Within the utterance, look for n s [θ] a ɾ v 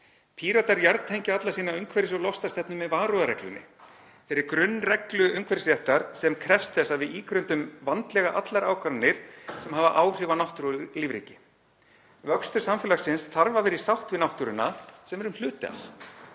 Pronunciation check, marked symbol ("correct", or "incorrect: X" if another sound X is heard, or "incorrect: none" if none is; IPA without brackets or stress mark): correct